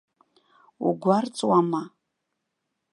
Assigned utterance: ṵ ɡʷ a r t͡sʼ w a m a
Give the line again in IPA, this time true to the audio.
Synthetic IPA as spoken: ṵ ɡʷ a r t͡sʼ w a m a